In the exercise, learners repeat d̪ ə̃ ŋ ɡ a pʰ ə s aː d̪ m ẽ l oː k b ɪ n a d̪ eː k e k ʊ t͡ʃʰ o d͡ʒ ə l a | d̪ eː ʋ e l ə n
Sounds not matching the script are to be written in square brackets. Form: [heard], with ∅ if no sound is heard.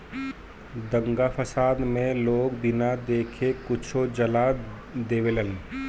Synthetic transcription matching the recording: d̪ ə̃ ŋ ɡ a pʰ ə s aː d̪ m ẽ l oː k b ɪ n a d̪ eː [kʰ] e k ʊ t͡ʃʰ o d͡ʒ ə l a | d̪ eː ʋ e l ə n